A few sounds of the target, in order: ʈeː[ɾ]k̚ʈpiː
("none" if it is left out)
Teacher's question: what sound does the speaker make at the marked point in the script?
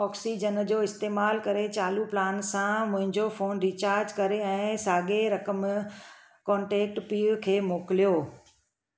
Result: none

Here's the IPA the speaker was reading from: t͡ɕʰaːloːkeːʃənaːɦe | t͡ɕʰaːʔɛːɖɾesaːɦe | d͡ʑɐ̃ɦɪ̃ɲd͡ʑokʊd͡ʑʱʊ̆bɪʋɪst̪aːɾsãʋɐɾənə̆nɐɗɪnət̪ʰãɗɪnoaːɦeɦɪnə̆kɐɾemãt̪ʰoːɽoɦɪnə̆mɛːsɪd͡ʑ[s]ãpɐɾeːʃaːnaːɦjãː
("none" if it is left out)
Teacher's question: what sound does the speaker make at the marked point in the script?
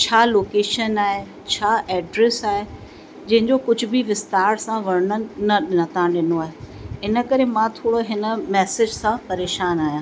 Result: s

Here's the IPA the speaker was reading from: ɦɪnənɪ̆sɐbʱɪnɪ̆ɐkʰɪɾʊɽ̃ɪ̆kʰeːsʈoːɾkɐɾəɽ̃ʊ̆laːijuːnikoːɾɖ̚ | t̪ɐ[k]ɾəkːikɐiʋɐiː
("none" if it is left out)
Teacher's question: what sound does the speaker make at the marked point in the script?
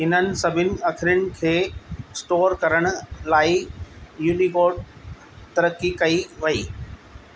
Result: none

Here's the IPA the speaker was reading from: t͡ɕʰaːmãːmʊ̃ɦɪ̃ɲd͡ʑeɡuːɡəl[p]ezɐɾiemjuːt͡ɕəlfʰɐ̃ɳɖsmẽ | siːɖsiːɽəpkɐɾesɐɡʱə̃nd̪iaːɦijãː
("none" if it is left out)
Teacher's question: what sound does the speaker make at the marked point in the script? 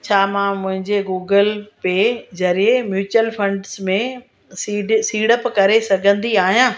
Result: p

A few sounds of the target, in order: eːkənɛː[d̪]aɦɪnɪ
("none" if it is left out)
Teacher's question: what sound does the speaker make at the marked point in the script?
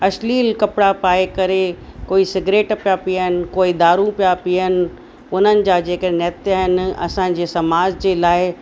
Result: t̪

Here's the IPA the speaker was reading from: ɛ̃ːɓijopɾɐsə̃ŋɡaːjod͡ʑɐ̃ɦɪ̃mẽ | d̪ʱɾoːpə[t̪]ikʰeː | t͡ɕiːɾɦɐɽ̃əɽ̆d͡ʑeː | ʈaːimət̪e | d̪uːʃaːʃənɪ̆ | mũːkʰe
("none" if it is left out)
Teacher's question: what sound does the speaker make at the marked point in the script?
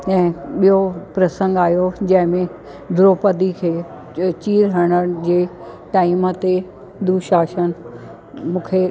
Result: d̪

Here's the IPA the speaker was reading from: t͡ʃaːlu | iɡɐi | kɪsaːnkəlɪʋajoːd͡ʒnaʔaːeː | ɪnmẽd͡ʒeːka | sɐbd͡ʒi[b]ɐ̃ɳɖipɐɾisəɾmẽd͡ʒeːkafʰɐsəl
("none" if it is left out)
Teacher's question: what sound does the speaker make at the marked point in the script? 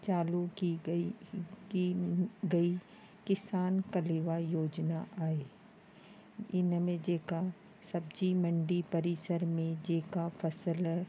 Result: m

